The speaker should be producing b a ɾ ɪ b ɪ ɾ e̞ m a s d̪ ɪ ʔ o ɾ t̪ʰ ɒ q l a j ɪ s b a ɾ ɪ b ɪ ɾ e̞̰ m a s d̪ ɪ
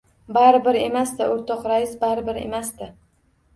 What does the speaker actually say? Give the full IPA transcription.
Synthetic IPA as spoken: b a ɾ ɪ b ɪ ɾ e̞ m a s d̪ ɪ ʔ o ɾ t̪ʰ ɒ q ɾ a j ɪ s b a ɾ ɪ b ɪ ɾ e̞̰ m a s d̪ ɪ